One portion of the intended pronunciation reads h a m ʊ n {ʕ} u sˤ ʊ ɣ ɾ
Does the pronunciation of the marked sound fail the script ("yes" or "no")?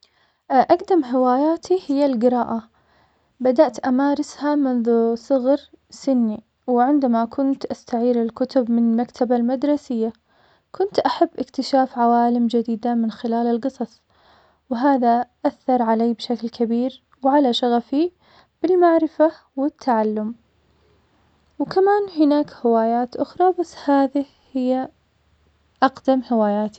yes